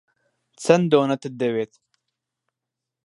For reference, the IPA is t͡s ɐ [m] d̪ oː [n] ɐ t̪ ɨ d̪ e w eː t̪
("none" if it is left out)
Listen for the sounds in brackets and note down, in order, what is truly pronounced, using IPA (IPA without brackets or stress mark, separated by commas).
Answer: n, n